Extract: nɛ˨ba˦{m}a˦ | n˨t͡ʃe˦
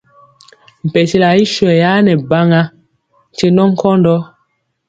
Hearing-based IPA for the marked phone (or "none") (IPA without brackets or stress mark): ŋ